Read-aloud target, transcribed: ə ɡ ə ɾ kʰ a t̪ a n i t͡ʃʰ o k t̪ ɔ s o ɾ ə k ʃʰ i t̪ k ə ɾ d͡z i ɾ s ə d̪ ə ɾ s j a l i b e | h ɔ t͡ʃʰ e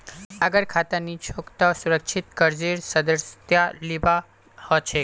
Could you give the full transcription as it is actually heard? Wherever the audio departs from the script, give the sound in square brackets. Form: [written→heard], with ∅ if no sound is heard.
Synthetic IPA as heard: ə ɡ ə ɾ kʰ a t̪ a n i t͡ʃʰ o k t̪ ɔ s [o→u] ɾ ə k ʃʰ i t̪ k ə ɾ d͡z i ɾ s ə d̪ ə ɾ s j a l i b [e→a] | h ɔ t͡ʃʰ e